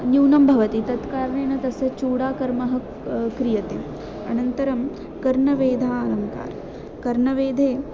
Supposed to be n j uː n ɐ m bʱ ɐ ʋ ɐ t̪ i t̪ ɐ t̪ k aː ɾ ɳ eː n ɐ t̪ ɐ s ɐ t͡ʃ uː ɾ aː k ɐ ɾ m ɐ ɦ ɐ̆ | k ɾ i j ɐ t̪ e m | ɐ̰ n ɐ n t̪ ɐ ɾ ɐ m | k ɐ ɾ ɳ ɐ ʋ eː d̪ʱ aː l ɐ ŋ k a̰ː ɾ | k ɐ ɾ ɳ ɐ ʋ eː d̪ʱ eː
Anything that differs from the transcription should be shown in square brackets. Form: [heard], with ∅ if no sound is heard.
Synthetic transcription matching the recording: n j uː n ɐ m bʱ ɐ ʋ ɐ t̪ i t̪ ɐ t̪ k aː ɾ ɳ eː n ɐ t̪ ɐ s ɐ t͡ʃ uː [ɽ] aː k ɐ ɾ m ɐ ɦ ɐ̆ | k ɾ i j ɐ t̪ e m | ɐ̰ n ɐ n t̪ ɐ ɾ ɐ m | k ɐ ɾ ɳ ɐ ʋ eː d̪ʱ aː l ɐ ŋ k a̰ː ɾ | k ɐ ɾ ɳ ɐ ʋ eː d̪ʱ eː